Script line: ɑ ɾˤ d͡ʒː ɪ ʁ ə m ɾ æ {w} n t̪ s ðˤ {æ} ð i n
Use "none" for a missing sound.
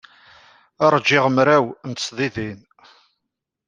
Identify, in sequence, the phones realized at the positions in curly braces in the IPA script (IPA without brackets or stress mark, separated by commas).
w, i